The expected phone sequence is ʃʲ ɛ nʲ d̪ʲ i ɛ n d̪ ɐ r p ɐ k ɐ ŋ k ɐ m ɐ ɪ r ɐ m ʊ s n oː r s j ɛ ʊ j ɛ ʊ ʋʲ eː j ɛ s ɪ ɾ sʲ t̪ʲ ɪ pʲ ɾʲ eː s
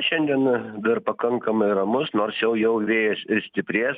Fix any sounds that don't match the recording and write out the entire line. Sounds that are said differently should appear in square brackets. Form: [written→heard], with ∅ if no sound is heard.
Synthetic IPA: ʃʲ ɛ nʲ d̪ʲ i ɛ n d̪ ɐ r p ɐ k ɐ ŋ k ɐ m ɐ ɪ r ɐ m ʊ s n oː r s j ɛ ʊ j ɛ ʊ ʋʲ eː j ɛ s ɪ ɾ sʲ t̪ʲ ɪ pʲ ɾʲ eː s